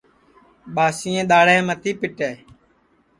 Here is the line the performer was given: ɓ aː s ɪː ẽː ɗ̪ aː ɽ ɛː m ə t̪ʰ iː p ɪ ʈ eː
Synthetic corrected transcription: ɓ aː s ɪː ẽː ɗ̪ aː ɽ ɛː m ə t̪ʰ iː p ɪ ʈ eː